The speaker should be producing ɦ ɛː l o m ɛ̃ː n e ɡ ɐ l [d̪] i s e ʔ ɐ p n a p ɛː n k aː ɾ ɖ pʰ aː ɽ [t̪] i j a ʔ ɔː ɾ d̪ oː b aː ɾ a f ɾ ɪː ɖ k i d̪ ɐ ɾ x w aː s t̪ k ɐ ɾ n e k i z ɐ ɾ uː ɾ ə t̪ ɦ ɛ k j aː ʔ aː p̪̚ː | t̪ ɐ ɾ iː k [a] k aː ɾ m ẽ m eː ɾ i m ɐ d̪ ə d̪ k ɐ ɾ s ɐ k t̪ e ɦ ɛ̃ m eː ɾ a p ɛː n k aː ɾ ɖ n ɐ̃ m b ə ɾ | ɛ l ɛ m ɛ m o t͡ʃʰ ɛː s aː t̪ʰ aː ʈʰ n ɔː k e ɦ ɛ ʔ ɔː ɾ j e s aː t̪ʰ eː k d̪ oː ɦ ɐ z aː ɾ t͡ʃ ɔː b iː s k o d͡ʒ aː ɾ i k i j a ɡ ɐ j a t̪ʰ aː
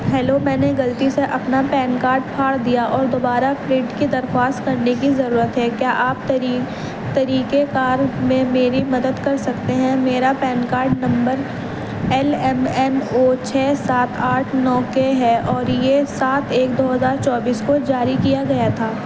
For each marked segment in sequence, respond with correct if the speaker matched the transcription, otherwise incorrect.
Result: incorrect: t̪, incorrect: d̪, incorrect: e

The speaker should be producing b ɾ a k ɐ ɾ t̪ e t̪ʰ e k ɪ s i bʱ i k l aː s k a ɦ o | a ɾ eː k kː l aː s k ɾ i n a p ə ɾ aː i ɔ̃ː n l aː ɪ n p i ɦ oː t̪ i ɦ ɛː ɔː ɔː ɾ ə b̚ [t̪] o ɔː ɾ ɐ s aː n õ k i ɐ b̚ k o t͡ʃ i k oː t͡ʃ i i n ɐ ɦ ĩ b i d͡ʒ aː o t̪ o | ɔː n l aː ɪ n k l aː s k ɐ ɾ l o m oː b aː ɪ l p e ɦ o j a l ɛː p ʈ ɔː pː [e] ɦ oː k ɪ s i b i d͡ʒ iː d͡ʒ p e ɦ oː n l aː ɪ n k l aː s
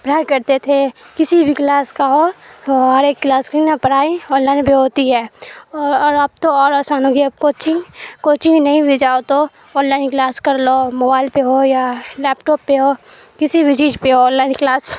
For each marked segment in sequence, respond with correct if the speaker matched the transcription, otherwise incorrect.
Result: correct, correct

